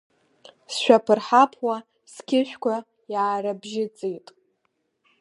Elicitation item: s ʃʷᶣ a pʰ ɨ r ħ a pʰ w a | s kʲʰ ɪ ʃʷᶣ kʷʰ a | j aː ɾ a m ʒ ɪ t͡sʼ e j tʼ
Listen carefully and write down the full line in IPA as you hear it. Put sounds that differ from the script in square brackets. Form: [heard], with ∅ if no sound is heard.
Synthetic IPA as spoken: s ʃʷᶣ a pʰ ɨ r ħ a pʰ w a | s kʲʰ ɪ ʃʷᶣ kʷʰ a | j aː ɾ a [b] ʒ ɪ t͡sʼ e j tʼ